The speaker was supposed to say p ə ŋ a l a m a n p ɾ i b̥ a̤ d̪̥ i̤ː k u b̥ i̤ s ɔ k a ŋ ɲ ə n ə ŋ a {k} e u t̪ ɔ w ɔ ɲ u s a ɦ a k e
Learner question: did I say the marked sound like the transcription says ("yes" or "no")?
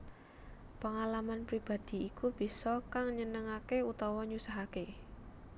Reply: yes